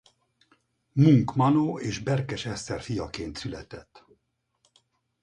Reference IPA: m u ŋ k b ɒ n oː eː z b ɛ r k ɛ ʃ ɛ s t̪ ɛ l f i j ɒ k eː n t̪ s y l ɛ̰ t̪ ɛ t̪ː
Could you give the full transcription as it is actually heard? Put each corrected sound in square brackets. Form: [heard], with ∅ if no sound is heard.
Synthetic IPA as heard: m u ŋ k [m] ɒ n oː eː [ʒ] b ɛ r k ɛ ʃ ɛ s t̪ ɛ [r] f i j ɒ k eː n t̪ s y l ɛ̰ t̪ ɛ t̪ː

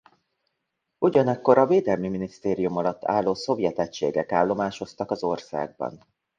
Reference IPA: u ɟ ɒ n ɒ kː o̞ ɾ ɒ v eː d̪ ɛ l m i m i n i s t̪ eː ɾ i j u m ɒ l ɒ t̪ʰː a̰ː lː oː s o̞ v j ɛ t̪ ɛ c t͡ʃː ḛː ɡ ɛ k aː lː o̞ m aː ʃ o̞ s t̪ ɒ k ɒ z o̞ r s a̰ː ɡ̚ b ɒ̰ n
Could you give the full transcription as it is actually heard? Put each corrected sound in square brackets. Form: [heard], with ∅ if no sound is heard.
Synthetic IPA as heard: u ɟ ɒ n ɒ kː o̞ ɾ ɒ v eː d̪ ɛ l m i m i n i s t̪ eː ɾ i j u m ɒ l ɒ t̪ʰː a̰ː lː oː s o̞ v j ɛ t̪ ɛ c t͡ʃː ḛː ɡ ɛ k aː lː o̞ m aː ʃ o̞ s t̪ ɒ k ɒ z o̞ r s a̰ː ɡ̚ b ɒ̰ n

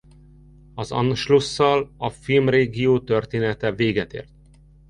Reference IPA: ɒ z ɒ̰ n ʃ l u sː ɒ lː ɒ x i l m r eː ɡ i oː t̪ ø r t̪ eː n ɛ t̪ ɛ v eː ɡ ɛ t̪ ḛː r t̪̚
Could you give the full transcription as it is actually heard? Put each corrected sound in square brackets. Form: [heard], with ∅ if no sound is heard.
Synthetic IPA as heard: ɒ z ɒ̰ n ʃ l u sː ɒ [l] ɒ [f] i l m r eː ɡ i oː t̪ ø r t̪ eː n ɛ t̪ ɛ v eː ɡ ɛ t̪ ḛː r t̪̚

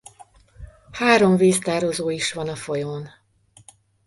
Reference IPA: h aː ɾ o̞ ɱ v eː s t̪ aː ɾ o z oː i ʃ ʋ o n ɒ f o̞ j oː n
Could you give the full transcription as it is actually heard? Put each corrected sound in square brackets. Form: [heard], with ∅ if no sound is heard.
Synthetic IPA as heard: h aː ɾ o̞ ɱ v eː s t̪ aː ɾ o z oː i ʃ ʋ [ɒ] n ɒ f o̞ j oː n

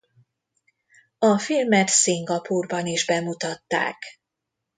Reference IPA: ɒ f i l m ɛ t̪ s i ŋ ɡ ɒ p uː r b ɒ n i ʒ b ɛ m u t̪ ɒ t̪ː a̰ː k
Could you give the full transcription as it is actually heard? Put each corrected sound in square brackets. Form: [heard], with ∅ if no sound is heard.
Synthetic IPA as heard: ɒ f i l m ɛ t̪ s i ŋ ɡ ɒ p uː r b ɒ n i ʒ b ɛ m u t̪ ɒ t̪ː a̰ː k

